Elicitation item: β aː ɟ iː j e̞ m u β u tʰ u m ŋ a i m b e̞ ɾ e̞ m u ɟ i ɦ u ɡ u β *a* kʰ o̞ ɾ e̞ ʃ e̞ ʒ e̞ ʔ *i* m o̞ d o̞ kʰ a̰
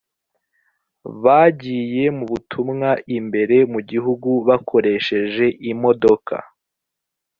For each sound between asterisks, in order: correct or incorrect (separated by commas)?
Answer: correct, correct